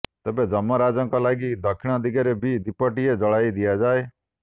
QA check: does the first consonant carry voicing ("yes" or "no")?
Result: no